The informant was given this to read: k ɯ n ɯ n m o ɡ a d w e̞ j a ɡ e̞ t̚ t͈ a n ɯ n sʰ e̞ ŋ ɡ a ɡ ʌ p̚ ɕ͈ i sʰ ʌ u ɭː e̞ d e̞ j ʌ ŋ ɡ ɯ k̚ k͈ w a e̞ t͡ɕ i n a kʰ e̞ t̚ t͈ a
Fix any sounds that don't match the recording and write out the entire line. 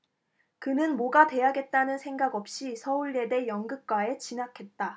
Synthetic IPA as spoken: k ɯ n ɯ n m o ɡ a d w e̞ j a ɡ e̞ t̚ t͈ a n ɯ n sʰ e̞ ŋ ɡ a ɡ ʌ p̚ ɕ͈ i sʰ ʌ u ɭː e̞ d e̞ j ʌ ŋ ɡ ɯ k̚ k͈ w a e̞ t͡ɕ i n a kʰ e̞ t̚ t͈ a